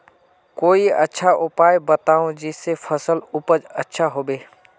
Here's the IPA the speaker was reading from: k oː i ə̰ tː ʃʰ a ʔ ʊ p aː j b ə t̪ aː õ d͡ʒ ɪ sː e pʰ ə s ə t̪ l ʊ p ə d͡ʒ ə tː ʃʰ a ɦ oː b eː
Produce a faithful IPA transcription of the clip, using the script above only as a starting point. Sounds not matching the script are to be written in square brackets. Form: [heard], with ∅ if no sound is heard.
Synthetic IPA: k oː i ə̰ tː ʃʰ a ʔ ʊ p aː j b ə t̪ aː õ d͡ʒ ɪ sː e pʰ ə s ə [∅] l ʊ p ə d͡ʒ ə tː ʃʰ a ɦ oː b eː